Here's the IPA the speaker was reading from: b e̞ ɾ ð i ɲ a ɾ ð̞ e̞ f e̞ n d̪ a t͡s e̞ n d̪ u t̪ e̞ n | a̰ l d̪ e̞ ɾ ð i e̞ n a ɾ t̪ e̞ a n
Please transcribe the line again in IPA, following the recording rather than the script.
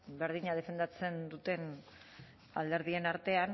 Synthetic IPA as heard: b e̞ ɾ ð i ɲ a ð̞ e̞ f e̞ n d̪ a t͡s e̞ n d̪ u t̪ e̞ n | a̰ l d̪ e̞ ɾ ð i e̞ n a ɾ t̪ e̞ a n